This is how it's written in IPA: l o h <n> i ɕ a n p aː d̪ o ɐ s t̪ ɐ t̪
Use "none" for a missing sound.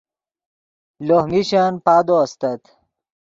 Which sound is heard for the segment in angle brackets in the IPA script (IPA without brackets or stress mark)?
m